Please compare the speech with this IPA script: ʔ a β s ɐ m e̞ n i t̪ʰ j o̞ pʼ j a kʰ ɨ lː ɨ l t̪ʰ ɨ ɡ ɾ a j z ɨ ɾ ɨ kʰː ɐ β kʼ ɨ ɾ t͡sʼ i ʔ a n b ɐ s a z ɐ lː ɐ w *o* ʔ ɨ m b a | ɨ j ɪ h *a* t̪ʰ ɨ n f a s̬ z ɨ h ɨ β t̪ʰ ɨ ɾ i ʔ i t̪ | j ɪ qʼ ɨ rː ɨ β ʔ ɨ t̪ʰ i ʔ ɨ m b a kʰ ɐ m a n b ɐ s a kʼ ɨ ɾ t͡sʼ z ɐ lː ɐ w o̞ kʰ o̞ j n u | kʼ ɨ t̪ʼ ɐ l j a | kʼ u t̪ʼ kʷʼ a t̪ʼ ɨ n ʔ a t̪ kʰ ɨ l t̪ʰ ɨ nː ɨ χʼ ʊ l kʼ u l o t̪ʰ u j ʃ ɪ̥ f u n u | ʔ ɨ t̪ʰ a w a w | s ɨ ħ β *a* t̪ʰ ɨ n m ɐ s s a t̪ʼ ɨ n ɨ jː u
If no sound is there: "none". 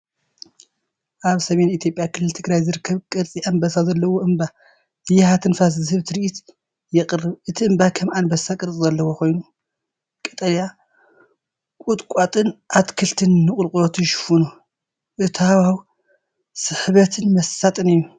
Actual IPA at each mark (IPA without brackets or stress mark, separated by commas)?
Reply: o, a, ɐ